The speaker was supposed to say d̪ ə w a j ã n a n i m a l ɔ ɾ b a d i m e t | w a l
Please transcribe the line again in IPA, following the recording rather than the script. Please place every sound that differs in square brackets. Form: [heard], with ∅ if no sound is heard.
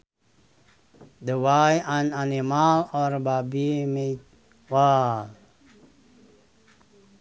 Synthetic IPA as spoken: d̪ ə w a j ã n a n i m a l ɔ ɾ b a [b] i m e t | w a l

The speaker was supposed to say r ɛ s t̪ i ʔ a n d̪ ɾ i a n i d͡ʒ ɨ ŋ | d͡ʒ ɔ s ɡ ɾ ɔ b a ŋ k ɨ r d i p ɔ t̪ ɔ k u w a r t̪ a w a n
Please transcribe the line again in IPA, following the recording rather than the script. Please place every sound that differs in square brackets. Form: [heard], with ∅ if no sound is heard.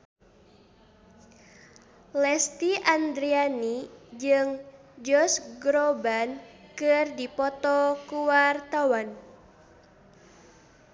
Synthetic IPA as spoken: [l] ɛ s t̪ i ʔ a n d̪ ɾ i a n i d͡ʒ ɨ ŋ | d͡ʒ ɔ s ɡ ɾ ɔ b a [n] k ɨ r d i p ɔ t̪ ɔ k u w a r t̪ a w a n

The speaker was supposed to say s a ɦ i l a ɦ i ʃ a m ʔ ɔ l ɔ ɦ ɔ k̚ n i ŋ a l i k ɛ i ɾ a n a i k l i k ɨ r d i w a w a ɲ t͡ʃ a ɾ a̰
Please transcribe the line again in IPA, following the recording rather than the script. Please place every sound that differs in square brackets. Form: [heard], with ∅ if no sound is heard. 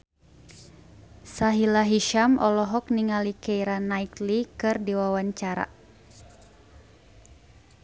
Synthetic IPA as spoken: s a ɦ i l a ɦ i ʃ a m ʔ ɔ l ɔ ɦ ɔ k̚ n i ŋ a l i k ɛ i ɾ a n a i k l i k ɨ r d i w a w a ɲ t͡ʃ a ɾ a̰

